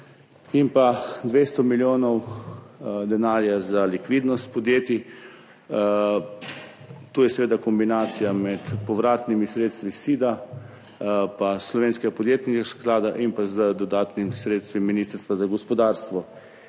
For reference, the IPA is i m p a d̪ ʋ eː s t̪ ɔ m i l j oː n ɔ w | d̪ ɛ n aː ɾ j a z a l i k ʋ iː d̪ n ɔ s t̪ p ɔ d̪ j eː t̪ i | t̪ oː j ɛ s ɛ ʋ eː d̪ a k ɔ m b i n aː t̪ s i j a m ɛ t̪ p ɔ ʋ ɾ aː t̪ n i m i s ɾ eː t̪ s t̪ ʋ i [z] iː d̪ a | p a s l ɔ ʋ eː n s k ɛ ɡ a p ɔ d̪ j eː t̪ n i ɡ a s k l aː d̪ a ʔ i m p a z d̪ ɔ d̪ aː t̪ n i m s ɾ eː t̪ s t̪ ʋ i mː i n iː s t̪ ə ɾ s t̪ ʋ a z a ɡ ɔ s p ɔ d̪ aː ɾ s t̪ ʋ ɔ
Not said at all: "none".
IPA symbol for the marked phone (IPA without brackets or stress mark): s